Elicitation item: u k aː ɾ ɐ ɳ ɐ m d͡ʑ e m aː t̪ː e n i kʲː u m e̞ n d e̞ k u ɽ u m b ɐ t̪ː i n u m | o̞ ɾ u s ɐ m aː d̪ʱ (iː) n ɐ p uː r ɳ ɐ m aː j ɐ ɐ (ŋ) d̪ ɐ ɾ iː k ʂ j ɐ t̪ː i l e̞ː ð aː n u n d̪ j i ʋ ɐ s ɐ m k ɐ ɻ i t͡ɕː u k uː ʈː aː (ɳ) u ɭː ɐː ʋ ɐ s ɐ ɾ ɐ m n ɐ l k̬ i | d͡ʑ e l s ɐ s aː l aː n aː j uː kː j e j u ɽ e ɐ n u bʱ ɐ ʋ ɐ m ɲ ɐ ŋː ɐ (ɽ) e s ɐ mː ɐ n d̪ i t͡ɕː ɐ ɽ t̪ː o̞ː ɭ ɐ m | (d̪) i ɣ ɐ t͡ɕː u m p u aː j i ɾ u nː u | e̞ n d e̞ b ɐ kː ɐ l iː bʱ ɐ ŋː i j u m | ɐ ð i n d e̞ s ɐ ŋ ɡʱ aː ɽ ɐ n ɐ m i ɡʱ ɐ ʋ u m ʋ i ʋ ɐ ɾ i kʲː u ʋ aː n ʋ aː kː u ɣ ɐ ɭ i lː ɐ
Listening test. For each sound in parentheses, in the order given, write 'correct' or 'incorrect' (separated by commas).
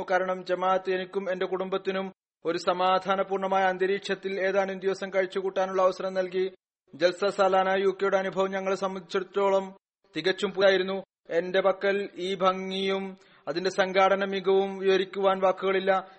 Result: incorrect, incorrect, incorrect, incorrect, incorrect